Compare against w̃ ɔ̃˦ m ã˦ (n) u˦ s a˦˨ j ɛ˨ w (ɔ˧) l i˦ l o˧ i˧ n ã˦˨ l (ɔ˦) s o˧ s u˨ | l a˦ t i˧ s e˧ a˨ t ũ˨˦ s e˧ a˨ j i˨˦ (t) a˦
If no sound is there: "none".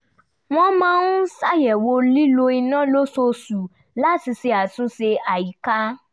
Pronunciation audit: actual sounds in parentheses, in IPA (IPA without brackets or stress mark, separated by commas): n, o˧, o˦, k